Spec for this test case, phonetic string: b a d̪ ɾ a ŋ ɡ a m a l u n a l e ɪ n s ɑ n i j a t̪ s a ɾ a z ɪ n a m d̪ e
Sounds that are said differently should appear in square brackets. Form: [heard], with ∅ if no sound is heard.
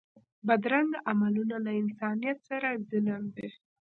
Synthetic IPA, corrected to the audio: b a d̪ ɾ a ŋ ɡ a m a l u n a l [a] ɪ n s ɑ n i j a t̪ s a ɾ a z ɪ n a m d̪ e